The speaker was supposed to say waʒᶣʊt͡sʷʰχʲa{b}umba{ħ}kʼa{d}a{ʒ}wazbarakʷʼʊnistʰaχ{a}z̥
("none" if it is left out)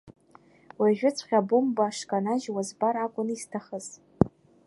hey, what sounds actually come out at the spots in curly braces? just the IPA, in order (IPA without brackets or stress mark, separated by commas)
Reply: b, ʂ, n, ʒ, ə